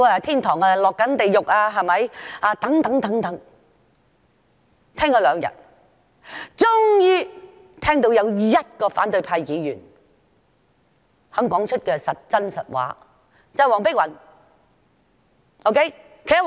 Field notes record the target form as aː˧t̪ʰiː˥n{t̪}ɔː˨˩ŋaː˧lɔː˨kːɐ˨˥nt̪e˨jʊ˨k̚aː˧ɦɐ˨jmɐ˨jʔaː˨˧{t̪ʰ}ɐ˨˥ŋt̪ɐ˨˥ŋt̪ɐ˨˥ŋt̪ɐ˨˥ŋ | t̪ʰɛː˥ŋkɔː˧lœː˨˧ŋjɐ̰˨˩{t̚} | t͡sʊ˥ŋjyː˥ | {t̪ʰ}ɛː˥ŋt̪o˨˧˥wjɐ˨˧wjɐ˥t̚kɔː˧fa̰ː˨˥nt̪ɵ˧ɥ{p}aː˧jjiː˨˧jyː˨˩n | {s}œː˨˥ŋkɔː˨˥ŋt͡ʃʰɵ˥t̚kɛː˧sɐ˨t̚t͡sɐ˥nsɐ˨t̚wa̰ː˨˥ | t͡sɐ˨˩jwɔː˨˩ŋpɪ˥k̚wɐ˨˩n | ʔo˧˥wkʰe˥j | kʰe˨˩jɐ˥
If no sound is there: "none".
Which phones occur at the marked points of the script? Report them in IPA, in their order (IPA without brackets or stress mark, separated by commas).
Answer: t̪ʰ, t̪, t̚, t̪ʰ, pʰ, h